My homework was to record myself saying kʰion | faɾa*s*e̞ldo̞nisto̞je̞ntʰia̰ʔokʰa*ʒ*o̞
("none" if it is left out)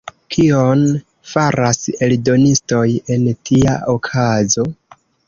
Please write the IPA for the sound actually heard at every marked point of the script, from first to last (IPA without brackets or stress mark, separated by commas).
s, z